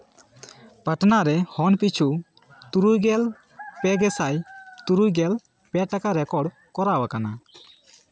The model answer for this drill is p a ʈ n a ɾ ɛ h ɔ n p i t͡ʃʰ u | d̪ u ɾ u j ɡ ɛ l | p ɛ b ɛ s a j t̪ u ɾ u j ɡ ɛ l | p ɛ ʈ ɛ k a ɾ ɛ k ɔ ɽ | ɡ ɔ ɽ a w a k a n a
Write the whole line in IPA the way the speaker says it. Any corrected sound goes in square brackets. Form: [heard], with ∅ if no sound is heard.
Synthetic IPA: p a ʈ n a ɾ ɛ h ɔ n p i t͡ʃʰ u | [t̪] u ɾ u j ɡ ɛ l | p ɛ [ɡ] ɛ s a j t̪ u ɾ u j ɡ ɛ l | p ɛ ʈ [a] k a ɾ ɛ k ɔ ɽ | [k] ɔ [ɾ] a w a k a n a